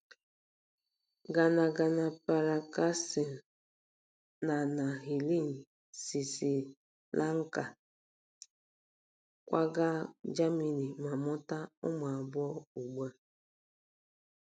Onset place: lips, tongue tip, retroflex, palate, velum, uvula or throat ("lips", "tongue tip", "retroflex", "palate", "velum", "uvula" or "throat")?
velum